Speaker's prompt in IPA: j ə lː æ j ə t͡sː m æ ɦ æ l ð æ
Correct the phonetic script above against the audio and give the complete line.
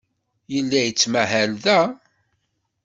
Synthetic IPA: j ə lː æ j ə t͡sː m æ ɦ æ l ð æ